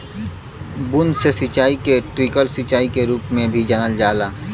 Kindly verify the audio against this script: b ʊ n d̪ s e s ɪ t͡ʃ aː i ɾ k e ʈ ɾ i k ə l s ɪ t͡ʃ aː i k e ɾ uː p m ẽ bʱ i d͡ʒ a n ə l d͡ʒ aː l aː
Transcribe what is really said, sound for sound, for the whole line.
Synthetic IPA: b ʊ n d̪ s e s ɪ t͡ʃ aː i k e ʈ ɾ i k ə l s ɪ t͡ʃ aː i k e ɾ uː p m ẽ bʱ i d͡ʒ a n ə l d͡ʒ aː l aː